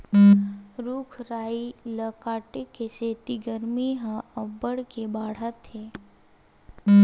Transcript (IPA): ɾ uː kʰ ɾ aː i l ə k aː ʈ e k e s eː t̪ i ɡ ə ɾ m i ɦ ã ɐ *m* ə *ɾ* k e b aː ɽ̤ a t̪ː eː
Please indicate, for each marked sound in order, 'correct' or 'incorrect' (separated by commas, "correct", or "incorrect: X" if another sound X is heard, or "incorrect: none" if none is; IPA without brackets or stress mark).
incorrect: b, incorrect: ɽ